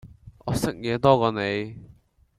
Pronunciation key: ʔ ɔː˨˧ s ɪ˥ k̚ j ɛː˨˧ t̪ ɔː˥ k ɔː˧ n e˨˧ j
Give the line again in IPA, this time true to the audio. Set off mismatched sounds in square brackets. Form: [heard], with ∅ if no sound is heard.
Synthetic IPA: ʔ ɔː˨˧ s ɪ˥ k̚ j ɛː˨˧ t̪ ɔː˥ k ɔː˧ n e˨˧ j